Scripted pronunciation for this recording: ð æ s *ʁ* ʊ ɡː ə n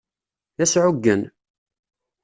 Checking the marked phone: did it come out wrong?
yes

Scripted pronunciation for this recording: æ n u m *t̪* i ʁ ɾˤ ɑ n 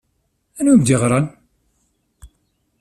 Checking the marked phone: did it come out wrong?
yes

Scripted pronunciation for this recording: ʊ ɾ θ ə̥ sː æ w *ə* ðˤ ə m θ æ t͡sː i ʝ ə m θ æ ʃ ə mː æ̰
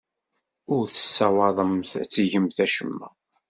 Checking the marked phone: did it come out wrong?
yes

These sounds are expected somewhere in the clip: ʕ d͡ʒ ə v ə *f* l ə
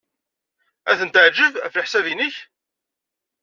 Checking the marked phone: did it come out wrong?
no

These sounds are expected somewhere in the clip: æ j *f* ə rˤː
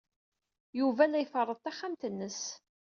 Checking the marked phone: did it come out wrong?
no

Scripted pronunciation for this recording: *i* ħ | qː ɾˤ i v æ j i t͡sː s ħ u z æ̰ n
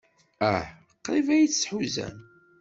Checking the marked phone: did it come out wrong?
yes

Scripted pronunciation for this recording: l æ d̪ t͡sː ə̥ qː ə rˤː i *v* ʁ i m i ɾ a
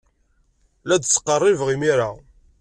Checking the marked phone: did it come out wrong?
no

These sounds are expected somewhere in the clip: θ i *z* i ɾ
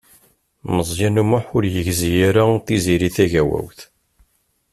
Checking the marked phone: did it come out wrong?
no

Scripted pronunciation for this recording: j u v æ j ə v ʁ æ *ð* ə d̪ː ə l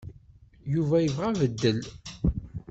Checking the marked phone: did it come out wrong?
yes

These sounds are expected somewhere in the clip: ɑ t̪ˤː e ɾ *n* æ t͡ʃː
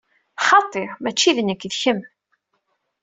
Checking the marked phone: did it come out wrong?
yes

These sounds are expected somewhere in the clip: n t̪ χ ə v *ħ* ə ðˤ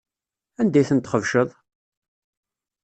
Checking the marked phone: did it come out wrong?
yes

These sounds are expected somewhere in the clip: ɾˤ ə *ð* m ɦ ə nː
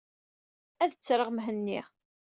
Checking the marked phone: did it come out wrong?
yes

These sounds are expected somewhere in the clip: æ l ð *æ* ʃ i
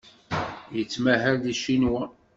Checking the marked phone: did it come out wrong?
yes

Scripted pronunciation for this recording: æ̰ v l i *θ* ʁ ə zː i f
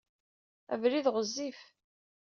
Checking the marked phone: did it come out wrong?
yes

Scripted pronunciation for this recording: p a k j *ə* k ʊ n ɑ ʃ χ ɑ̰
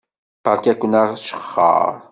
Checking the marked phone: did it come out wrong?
yes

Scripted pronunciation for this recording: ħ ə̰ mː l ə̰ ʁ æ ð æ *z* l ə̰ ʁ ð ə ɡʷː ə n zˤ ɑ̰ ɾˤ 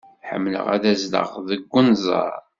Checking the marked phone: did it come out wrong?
no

